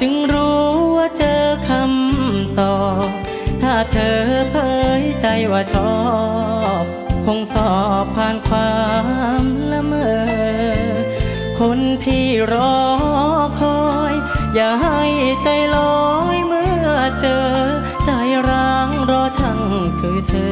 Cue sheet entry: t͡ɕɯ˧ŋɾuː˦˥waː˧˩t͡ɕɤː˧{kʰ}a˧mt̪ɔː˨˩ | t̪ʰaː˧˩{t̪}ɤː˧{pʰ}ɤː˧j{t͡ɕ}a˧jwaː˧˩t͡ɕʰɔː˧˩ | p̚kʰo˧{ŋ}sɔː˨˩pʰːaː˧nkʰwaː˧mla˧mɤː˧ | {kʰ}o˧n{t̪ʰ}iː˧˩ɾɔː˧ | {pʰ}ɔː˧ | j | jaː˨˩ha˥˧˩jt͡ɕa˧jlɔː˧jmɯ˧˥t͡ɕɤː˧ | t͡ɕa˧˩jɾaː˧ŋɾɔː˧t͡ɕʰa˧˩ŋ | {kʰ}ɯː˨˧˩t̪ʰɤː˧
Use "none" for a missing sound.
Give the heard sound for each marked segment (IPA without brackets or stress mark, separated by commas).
kʰ, t̪ʰ, pʰ, t͡ɕ, ŋ, kʰ, t̪ʰ, kʰ, kʰ